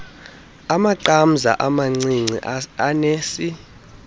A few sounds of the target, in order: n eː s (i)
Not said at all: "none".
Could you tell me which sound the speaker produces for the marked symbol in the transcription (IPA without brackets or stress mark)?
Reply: i